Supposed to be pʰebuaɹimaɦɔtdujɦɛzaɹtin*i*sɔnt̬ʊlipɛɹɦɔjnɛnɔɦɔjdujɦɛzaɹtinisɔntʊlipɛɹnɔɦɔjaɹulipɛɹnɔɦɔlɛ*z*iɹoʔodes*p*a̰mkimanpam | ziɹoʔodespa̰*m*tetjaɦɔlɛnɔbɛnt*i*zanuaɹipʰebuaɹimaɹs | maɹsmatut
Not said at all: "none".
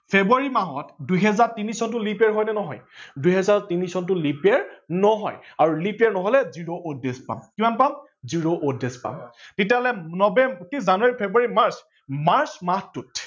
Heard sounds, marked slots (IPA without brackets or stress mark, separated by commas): i, z, p, m, i